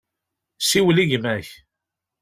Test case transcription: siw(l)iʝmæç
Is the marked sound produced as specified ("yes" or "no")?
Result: yes